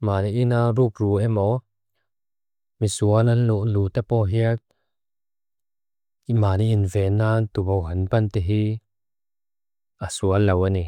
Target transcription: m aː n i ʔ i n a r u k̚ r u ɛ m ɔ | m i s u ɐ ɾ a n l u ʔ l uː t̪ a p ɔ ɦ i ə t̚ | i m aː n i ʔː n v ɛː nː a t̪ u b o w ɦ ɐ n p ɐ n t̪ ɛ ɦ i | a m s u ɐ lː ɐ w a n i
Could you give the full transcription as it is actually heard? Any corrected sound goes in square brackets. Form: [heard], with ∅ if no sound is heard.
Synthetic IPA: m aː n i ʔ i n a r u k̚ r u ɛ m ɔ | m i s u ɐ [l] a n l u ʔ l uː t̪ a p ɔ ɦ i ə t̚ | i m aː n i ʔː n v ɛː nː a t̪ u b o w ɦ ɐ n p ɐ n t̪ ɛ ɦ i | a [∅] s u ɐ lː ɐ w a n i